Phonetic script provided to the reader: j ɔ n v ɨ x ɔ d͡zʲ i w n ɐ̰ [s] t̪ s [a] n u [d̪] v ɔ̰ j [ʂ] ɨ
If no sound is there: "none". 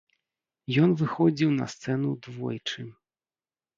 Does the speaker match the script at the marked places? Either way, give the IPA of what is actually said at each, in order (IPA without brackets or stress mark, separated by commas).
s, ɛ, d̪, t͡ʂ